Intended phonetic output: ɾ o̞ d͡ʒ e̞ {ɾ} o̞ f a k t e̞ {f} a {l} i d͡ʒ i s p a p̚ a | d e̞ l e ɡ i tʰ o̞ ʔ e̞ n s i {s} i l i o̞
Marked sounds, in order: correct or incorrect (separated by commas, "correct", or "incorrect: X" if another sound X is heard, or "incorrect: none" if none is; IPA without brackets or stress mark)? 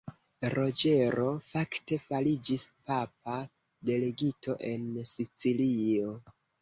correct, correct, correct, incorrect: t͡s